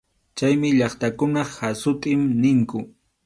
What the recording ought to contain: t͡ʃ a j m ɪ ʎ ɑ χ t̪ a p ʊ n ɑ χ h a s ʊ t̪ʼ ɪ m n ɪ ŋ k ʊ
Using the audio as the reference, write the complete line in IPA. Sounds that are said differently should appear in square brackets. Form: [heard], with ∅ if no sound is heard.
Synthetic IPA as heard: t͡ʃ a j m ɪ ʎ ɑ χ t̪ a [k] ʊ n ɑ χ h a s ʊ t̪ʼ ɪ m n ɪ ŋ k ʊ